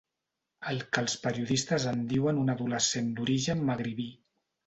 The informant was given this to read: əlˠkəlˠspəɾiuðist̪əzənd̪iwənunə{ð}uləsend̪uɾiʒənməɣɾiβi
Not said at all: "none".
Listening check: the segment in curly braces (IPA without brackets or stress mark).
ð